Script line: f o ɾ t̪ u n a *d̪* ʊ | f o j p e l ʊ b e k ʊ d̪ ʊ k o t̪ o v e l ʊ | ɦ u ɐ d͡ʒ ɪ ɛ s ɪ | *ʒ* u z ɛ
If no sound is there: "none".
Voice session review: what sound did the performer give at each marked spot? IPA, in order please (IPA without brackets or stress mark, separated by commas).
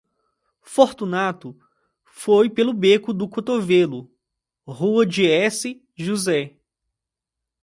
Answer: t̪, ʒ